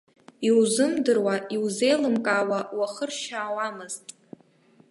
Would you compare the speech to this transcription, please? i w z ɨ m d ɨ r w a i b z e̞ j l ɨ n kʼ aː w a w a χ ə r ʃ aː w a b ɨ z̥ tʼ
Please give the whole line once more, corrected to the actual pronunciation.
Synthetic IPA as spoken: i w z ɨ m d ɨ r w a i w z e̞ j l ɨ m kʼ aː w a w a χ ə r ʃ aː w a m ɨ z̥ tʼ

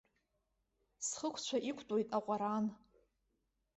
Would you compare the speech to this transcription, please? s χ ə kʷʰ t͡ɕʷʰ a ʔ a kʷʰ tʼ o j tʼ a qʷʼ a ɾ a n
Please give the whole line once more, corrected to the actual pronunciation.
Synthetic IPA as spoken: s χ ə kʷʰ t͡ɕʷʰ a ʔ i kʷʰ tʼ o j tʼ a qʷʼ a ɾ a n

